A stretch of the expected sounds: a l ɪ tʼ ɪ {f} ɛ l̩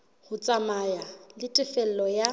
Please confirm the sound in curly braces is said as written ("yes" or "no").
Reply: yes